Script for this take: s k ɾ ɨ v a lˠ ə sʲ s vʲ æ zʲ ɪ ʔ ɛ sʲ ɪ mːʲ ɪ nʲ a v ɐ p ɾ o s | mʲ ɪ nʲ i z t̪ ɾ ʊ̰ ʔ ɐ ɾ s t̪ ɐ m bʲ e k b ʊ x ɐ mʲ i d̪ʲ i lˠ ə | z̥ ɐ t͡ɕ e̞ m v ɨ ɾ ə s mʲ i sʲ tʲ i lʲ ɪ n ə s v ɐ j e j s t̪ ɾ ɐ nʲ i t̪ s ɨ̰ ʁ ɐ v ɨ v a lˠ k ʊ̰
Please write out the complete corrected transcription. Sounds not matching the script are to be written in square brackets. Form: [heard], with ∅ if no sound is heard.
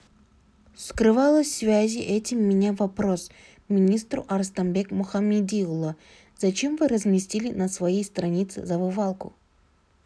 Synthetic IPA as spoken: s k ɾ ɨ v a lˠ ə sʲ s vʲ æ zʲ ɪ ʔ ɛ [tʲ] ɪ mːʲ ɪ nʲ a v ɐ p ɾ o s | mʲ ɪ nʲ i [s] t̪ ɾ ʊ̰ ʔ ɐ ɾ s t̪ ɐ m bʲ e k [m] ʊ x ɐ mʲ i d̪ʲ i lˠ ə | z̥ ɐ t͡ɕ e̞ m v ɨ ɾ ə [z] mʲ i sʲ tʲ i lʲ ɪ n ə s v ɐ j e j s t̪ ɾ ɐ nʲ i t̪ s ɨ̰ [z] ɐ v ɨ v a lˠ k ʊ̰

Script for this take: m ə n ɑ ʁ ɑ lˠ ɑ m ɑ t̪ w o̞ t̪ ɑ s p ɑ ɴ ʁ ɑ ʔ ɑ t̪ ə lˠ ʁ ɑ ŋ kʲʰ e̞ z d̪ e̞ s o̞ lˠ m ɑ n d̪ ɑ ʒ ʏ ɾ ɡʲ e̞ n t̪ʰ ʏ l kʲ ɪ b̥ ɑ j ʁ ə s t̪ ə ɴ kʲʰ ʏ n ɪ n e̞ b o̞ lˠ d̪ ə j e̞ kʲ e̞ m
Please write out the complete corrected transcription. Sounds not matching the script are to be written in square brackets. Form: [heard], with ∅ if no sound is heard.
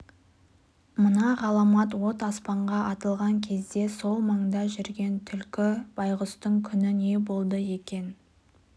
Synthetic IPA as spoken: m ə n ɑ ʁ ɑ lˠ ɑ m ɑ t̪ w o̞ t̪ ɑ s p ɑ ɴ ʁ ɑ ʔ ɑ t̪ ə lˠ ʁ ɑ ŋ kʲʰ e̞ z d̪ e̞ s o̞ lˠ m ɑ [ɴ] d̪ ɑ ʒ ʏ ɾ ɡʲ e̞ n t̪ʰ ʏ l kʲ ɪ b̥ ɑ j ʁ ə s t̪ ə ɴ kʲʰ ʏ n ɪ n e̞ b o̞ lˠ d̪ ə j e̞ kʲ e̞ [n]

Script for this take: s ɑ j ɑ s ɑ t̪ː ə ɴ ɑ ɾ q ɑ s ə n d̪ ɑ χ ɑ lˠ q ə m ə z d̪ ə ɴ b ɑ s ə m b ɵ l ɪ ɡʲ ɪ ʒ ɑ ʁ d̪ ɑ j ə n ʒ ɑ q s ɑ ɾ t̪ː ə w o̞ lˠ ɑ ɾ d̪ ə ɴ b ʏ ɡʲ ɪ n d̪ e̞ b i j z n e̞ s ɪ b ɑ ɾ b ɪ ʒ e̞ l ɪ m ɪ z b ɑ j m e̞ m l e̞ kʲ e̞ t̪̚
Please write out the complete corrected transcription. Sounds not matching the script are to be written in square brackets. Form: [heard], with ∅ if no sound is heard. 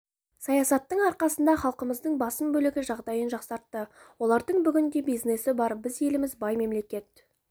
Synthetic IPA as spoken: s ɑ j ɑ s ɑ t̪ː ə ɴ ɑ ɾ q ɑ s ə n d̪ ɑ χ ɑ lˠ q ə m ə z d̪ ə ɴ b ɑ s ə m b ɵ l ɪ ɡʲ ɪ ʒ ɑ ʁ d̪ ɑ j ə n ʒ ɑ q s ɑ ɾ t̪ː ə w o̞ lˠ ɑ ɾ d̪ ə ɴ b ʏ ɡʲ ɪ n d̪ e̞ b i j z n e̞ s ɪ b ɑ ɾ b ɪ [z] e̞ l ɪ m ɪ z b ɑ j m e̞ m l e̞ kʲ e̞ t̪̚

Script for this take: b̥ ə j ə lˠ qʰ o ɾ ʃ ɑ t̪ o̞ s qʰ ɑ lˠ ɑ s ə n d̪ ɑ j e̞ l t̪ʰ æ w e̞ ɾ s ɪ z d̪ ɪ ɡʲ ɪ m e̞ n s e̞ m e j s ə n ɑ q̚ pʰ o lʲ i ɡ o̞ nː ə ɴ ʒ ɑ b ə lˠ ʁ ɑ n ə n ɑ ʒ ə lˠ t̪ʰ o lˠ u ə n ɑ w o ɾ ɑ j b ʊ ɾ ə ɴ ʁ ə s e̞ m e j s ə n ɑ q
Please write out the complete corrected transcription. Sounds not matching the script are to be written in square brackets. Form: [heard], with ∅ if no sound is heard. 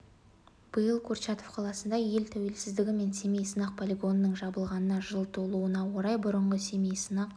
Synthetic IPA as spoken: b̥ ə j ə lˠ [kʰ] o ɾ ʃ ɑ t̪ o̞ [f] qʰ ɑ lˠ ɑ s ə n d̪ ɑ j e̞ l t̪ʰ æ w e̞ [l] s ɪ z d̪ ɪ ɡʲ ɪ m e̞ n s e̞ m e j s ə n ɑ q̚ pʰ o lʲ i ɡ o̞ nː ə ɴ ʒ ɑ b ə lˠ ʁ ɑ n ə n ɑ ʒ ə lˠ t̪ʰ o lˠ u ə n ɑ w o ɾ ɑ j b ʊ ɾ ə ɴ ʁ ə s e̞ m e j s ə n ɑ q

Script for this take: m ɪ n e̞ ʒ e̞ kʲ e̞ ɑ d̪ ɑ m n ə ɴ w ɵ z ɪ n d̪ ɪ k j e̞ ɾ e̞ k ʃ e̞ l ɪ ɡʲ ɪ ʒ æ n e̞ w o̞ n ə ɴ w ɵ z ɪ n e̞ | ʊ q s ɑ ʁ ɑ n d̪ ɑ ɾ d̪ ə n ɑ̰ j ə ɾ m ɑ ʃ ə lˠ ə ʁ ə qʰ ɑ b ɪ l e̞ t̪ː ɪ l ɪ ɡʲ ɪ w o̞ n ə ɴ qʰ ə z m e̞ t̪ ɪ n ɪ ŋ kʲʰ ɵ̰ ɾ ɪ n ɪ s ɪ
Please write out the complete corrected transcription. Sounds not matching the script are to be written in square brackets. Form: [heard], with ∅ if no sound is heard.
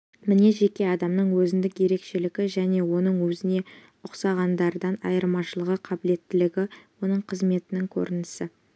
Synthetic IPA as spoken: m ɪ n e̞ ʒ e̞ kʲ e̞ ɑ d̪ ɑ m n ə ɴ w ɵ z ɪ n d̪ ɪ k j e̞ ɾ e̞ k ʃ e̞ l ɪ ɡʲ ɪ ʒ æ n e̞ w o̞ n ə ɴ w ɵ z ɪ n e̞ | ʊ q s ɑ ʁ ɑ n d̪ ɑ ɾ d̪ [ɑ] n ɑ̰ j ə ɾ m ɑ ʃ ə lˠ ə ʁ ə qʰ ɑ b ɪ l e̞ t̪ː ɪ l ɪ ɡʲ ɪ w o̞ n ə ɴ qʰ ə z m e̞ t̪ ɪ n ɪ ŋ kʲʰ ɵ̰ ɾ ɪ n ɪ s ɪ

